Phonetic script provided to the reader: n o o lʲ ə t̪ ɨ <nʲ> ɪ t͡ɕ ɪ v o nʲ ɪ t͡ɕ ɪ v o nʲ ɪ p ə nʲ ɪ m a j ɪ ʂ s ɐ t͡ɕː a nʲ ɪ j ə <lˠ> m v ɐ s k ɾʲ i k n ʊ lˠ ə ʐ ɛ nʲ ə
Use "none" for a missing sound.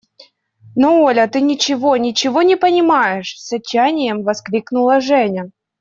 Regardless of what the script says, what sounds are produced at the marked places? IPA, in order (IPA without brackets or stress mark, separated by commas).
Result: nʲ, none